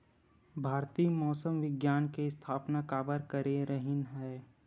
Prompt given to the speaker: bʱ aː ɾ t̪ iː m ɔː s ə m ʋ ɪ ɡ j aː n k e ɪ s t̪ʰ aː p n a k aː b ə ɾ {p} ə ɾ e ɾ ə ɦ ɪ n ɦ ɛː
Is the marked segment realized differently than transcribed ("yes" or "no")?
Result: yes